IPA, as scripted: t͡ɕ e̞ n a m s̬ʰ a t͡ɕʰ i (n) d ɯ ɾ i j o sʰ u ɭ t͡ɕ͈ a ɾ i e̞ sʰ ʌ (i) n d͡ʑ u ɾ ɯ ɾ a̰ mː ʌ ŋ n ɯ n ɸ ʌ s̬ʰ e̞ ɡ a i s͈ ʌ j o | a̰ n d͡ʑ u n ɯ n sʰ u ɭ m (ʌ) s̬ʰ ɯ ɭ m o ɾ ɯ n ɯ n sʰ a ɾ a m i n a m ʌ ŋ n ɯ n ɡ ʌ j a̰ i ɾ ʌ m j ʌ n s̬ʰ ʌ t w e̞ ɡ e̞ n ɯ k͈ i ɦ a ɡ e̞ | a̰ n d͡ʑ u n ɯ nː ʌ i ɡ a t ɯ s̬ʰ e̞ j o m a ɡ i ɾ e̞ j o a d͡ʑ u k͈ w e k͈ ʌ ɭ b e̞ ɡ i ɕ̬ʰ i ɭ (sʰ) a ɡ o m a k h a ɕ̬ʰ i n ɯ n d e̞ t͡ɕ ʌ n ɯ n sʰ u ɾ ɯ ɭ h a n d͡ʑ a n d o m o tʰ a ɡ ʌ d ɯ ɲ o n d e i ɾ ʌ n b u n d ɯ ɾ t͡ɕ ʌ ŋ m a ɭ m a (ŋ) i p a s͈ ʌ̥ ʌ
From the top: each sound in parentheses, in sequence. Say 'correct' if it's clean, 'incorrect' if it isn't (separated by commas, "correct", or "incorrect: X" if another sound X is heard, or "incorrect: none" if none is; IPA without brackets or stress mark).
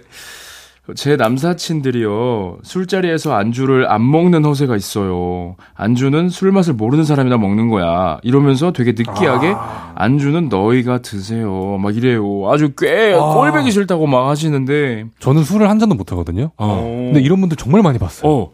correct, incorrect: a, incorrect: a, incorrect: tʰ, incorrect: ɲ